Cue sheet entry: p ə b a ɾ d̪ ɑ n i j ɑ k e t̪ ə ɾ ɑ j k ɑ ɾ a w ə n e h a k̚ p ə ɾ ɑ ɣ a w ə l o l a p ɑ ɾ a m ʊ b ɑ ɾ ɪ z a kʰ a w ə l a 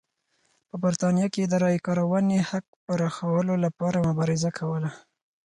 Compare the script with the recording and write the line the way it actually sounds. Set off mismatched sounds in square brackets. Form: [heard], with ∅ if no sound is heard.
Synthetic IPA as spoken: p ə b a ɾ [t̪] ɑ n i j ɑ k e [d̪] ə ɾ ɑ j k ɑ ɾ a w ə n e h a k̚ p ə ɾ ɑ [x] a w ə l o l a p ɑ ɾ a m ʊ b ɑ ɾ ɪ z a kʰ a w ə l a